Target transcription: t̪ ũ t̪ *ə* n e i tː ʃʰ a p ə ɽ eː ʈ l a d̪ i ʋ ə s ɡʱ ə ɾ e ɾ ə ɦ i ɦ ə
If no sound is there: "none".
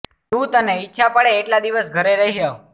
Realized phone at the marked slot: ə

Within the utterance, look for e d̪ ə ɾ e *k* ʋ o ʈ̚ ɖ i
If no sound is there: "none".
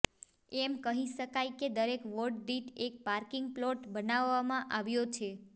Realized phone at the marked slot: k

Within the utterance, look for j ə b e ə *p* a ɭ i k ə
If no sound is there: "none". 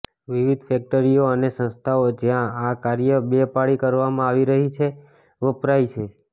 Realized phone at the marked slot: p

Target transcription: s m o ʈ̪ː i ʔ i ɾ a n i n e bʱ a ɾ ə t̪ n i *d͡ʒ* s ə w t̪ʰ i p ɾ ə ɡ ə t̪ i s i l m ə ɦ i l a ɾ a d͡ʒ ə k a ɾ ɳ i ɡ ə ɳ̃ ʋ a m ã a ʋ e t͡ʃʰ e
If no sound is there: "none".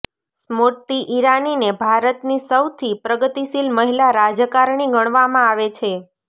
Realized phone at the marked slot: none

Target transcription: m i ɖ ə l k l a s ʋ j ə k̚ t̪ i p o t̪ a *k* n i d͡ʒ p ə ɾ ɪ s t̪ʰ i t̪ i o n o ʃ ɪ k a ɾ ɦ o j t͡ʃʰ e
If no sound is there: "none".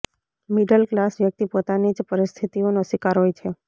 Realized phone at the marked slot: none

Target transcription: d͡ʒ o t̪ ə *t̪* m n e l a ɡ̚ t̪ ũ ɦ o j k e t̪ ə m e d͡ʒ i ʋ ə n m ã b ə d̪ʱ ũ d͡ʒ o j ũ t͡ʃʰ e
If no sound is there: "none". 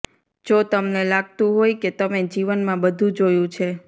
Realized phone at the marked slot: none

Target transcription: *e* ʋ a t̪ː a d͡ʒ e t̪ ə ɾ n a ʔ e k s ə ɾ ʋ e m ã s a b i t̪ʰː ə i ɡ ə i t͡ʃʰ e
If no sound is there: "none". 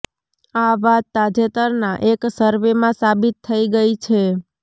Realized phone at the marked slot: a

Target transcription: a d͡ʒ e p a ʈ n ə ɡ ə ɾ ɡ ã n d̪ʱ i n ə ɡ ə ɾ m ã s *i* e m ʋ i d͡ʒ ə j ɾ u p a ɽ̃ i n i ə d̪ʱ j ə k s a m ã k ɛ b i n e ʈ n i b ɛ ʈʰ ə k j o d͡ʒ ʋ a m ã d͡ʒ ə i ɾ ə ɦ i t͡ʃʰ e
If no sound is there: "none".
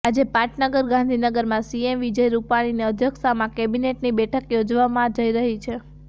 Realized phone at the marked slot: i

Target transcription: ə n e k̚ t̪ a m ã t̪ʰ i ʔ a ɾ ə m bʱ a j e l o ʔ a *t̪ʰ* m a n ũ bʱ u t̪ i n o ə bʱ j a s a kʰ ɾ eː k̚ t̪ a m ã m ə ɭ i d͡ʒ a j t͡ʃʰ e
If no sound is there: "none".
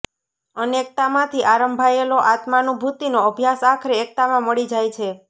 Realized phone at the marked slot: t̪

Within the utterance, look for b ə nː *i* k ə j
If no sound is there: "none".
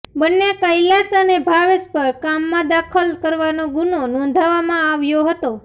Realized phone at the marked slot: e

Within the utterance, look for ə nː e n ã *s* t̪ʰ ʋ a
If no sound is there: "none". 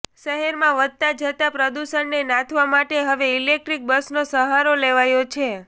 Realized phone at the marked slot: none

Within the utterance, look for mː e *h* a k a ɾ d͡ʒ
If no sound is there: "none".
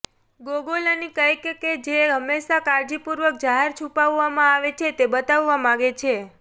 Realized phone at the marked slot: ʃ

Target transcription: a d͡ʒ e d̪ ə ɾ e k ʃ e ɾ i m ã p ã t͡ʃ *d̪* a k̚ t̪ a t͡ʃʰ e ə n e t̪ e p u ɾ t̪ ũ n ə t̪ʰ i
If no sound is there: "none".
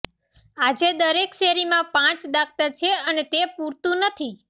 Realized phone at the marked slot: d̪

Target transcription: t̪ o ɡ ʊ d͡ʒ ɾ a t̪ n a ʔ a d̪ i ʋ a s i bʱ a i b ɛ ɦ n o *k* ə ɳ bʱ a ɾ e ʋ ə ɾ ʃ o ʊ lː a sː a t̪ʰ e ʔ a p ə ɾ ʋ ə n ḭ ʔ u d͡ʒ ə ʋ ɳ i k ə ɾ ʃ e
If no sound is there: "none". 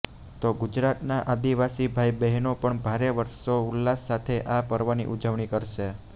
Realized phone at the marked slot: p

